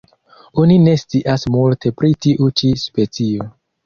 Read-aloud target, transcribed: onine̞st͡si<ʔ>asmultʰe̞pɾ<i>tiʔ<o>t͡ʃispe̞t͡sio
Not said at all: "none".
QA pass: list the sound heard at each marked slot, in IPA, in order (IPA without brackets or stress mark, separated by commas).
ʔ, i, u